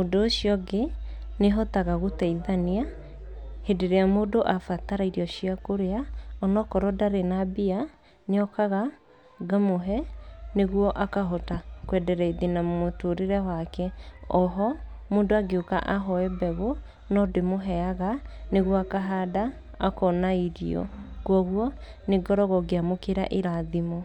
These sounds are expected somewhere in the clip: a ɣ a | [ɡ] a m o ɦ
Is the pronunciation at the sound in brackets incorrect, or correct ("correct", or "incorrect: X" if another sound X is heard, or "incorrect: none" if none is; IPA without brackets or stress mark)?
correct